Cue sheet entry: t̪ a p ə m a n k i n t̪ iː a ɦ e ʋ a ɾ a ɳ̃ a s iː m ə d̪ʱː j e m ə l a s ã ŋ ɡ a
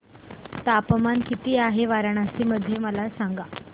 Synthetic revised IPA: t̪ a p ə m a n k i t̪ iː a ɦ e ʋ a ɾ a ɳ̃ a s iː m ə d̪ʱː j e m ə l a s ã ŋ ɡ a